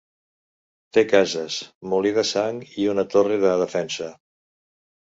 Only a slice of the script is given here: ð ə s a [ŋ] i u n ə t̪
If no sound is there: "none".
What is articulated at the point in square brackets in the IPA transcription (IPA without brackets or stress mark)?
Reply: ŋ